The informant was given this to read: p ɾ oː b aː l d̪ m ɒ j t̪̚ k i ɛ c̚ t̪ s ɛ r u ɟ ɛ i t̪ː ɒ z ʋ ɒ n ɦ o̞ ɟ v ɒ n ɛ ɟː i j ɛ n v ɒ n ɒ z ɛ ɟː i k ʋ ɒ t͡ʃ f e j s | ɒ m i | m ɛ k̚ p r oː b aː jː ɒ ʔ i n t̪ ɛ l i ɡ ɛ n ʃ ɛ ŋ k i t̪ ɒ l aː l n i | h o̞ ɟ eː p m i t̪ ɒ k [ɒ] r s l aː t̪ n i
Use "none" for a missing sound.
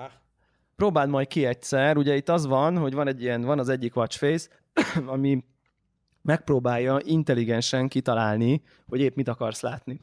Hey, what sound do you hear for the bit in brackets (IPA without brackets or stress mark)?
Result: ɒ